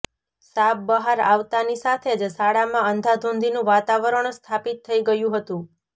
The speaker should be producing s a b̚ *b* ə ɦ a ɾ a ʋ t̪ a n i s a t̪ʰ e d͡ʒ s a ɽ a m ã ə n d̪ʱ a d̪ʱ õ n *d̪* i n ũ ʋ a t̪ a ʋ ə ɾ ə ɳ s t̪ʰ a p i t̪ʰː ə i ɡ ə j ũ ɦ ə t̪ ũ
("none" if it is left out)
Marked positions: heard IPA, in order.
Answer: b, d̪

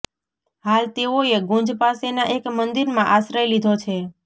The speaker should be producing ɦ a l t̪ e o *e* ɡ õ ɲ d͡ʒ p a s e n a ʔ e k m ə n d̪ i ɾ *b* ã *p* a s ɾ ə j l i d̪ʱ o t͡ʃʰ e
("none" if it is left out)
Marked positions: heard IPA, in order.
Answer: e, m, ʔ

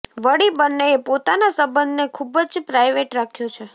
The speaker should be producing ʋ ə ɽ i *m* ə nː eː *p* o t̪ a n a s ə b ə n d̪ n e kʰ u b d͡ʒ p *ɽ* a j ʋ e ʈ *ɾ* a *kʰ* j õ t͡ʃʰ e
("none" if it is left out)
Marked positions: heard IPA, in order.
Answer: b, p, ɾ, ɾ, kʰ

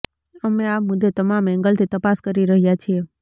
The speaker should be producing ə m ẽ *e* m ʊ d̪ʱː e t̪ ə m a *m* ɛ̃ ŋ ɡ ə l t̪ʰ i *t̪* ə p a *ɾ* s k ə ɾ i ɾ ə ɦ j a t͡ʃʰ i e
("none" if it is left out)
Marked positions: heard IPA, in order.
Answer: a, m, t̪, none

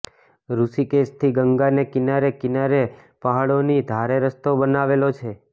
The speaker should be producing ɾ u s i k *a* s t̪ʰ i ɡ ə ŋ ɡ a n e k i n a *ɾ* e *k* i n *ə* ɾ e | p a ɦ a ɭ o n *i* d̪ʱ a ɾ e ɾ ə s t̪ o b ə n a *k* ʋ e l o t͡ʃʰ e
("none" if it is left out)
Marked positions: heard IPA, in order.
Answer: e, ɾ, k, a, i, none

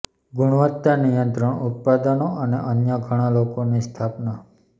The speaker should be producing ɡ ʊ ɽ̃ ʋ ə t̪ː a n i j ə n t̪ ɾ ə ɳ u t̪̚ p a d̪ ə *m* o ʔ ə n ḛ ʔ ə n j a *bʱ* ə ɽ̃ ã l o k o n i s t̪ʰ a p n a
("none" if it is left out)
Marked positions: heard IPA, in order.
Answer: n, ɡʱ

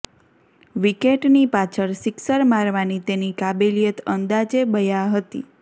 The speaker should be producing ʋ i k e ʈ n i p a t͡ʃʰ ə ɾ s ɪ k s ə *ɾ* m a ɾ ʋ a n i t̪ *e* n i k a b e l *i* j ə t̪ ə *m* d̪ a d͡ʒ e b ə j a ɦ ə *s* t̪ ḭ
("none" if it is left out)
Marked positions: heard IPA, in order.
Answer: ɾ, e, i, n, none

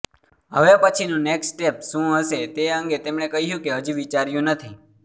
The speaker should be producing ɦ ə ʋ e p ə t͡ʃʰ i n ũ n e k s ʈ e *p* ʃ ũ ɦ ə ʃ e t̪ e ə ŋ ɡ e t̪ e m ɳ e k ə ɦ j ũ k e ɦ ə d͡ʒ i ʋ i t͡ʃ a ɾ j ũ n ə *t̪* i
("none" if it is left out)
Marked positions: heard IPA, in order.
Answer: p, t̪ʰ

